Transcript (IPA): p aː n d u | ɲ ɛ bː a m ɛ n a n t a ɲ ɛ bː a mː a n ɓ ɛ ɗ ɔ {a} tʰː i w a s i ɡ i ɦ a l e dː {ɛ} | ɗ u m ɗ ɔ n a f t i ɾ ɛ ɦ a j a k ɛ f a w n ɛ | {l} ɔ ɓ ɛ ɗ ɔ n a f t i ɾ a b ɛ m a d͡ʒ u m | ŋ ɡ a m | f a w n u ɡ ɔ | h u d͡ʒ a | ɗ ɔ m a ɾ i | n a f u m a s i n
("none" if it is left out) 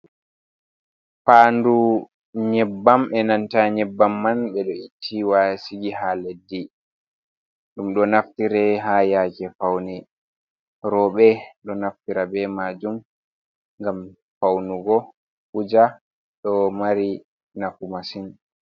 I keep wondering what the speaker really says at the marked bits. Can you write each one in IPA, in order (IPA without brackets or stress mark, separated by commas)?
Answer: i, i, ɾ